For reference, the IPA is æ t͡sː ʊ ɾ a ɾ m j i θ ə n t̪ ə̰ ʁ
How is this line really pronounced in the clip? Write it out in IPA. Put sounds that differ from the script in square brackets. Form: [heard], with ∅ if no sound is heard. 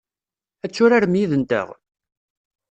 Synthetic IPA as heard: æ t͡sː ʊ ɾ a ɾ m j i [ð] ə n t̪ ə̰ ʁ